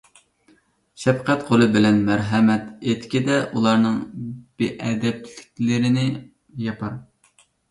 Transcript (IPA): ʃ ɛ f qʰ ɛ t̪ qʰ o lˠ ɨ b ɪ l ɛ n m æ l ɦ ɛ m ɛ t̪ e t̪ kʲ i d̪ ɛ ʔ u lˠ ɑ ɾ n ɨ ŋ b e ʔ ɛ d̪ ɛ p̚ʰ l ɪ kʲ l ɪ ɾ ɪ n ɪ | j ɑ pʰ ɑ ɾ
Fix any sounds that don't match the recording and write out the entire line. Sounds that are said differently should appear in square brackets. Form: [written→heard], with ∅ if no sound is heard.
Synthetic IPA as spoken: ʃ ɛ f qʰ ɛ t̪ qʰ o lˠ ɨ b ɪ l ɛ n m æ [l→ɾ] ɦ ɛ m ɛ t̪ e t̪ kʲ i d̪ ɛ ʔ u lˠ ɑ ɾ n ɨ ŋ b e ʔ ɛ d̪ ɛ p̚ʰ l ɪ kʲ l ɪ ɾ ɪ n ɪ | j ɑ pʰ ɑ ɾ